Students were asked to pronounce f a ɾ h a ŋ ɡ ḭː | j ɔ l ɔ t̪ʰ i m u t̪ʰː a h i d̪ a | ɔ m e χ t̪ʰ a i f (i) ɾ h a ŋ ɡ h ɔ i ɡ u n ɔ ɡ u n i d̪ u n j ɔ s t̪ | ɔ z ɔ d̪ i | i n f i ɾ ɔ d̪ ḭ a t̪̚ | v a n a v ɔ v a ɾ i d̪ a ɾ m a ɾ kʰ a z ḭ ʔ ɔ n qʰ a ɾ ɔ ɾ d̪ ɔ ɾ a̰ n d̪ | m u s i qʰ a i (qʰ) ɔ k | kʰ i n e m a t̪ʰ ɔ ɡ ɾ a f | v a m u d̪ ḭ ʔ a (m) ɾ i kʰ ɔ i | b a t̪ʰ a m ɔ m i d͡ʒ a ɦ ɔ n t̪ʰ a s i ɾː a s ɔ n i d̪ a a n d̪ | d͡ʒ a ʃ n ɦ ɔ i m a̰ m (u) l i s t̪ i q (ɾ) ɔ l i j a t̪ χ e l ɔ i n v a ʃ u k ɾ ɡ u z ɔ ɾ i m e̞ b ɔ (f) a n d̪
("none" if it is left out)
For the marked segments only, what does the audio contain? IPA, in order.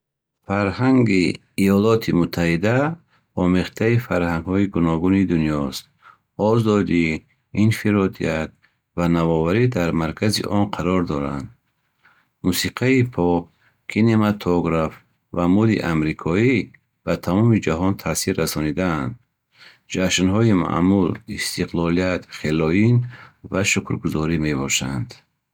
a, pʰ, m, u, l, ʃ

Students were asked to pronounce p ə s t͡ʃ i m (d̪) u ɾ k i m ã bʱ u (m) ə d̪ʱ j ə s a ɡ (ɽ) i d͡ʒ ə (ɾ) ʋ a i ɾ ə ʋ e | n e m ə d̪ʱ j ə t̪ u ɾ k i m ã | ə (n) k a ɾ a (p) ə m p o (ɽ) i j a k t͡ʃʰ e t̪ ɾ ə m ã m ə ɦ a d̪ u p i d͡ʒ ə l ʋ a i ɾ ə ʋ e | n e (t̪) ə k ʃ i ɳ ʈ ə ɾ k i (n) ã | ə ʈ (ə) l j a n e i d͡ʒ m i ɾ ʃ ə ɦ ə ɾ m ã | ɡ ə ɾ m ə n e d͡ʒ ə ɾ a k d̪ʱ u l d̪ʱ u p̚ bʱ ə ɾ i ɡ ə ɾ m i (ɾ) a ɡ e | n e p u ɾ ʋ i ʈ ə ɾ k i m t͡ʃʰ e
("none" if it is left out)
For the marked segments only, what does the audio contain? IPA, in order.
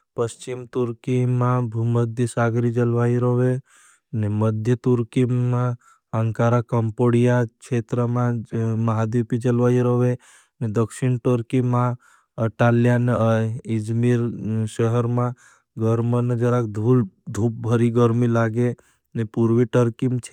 t̪, m, ɾ, l, ŋ, k, ɽ, d̪, m, a, l

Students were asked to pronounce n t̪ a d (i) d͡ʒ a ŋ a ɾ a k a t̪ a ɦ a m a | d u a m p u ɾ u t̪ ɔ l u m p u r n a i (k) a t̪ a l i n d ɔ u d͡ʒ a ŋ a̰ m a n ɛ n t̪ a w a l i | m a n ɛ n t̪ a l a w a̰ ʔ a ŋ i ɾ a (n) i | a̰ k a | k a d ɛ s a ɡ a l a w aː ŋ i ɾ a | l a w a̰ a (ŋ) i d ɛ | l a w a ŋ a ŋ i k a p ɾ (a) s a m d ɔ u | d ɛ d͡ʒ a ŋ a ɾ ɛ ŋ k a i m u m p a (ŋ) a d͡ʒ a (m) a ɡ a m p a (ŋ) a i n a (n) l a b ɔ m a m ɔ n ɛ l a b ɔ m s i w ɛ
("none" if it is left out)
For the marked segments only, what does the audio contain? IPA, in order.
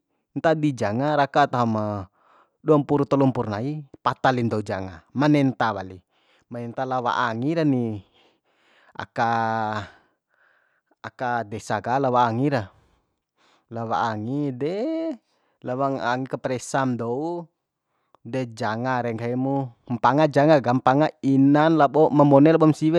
i, p, n, ŋ, ɛ, ŋ, ŋ, ŋ, n

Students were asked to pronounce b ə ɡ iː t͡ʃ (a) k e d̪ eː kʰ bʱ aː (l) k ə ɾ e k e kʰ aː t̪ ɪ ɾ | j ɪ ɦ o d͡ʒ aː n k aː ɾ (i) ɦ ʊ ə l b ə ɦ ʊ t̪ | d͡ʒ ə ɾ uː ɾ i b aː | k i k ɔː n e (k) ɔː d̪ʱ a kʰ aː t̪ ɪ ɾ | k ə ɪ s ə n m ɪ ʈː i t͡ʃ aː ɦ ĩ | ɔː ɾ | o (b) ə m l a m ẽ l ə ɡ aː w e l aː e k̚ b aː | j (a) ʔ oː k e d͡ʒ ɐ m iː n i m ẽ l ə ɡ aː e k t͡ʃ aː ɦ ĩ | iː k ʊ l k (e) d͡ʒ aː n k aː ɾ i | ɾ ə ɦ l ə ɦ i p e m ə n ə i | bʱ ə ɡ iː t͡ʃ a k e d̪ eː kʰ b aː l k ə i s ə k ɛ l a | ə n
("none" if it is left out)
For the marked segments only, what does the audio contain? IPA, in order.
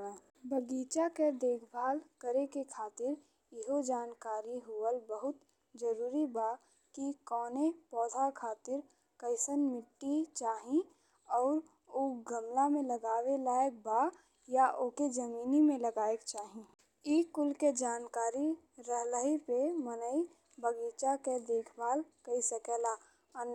a, l, i, p, ɡ, a, e

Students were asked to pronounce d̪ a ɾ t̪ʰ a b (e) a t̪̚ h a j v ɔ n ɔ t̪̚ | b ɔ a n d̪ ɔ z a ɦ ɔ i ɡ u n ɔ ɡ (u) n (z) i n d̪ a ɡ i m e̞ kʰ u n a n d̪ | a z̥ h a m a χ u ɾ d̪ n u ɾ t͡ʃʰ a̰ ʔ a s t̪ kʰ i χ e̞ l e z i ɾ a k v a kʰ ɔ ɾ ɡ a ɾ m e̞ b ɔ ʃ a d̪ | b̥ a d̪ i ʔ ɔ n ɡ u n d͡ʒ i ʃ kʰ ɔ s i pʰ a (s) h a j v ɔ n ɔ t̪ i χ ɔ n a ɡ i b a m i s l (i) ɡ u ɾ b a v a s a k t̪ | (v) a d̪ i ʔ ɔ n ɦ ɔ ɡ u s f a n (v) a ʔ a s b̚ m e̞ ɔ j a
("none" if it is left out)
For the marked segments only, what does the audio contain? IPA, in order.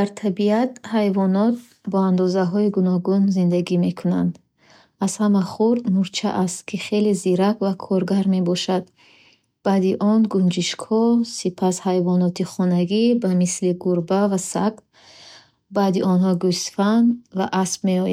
i, u, z, s, i, b, v

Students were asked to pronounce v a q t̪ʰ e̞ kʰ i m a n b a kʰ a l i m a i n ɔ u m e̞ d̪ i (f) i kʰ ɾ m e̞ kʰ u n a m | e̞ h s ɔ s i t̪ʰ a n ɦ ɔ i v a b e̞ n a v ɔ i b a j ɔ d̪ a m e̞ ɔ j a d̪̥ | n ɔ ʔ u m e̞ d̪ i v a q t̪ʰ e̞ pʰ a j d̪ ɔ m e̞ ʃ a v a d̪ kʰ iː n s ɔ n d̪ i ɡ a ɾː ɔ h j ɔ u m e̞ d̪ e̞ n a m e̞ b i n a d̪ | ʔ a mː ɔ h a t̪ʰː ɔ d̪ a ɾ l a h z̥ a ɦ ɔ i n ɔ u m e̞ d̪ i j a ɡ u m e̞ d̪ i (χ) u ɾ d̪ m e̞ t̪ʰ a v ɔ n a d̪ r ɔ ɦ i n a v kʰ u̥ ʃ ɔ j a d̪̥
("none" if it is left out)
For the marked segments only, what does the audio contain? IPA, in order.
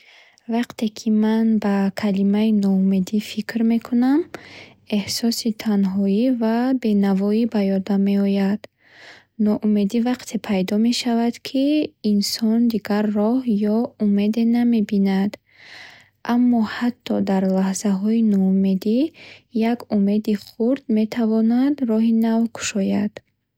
f, χ

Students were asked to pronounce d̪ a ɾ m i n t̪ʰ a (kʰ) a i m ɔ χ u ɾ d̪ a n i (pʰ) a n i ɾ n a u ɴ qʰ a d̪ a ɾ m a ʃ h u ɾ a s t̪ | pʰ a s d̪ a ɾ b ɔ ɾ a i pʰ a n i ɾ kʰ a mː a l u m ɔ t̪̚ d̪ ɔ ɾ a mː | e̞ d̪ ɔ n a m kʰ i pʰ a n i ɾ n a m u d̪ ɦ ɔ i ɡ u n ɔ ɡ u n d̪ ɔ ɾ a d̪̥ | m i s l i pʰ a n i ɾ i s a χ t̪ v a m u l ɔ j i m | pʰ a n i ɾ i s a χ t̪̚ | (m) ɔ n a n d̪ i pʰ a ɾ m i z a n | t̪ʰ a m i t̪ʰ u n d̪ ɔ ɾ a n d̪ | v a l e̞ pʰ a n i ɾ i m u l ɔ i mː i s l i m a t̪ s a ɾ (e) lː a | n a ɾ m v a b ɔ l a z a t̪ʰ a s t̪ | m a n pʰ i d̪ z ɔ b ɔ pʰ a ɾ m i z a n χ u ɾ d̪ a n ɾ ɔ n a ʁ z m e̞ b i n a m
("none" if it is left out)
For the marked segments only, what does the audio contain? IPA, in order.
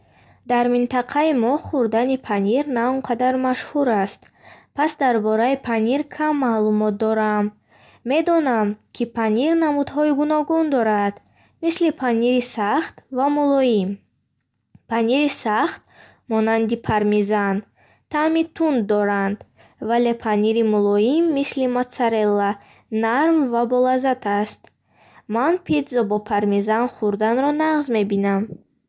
qʰ, pʰ, m, e

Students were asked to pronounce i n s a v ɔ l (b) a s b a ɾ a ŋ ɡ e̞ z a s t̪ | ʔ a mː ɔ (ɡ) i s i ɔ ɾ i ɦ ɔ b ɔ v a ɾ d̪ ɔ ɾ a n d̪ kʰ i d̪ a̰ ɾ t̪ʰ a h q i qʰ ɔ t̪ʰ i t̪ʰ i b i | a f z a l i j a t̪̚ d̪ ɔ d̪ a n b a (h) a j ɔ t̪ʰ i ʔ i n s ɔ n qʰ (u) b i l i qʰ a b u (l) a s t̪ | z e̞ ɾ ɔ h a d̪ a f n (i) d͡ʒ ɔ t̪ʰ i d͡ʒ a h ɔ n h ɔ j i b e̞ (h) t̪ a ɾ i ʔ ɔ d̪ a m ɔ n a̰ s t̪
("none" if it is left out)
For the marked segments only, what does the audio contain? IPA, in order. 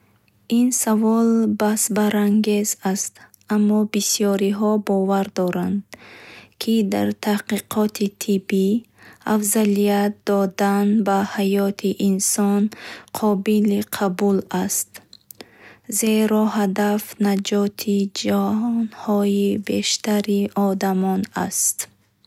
b, b, h, ɔ, l, a, ʃ

